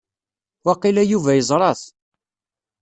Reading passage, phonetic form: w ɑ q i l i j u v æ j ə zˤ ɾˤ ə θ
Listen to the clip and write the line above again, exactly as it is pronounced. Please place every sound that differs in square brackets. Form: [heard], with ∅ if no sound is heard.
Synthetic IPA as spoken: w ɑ q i l [æ] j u v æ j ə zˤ ɾˤ [ɑ] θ